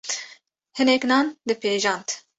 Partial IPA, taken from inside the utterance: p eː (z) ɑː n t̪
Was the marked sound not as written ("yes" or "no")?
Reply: yes